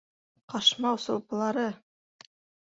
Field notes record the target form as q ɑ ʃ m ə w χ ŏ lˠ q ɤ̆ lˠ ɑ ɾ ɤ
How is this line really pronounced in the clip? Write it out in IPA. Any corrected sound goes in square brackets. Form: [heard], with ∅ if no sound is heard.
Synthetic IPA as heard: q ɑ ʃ m [ɑ] w [s] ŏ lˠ [p] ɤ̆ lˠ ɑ ɾ ɤ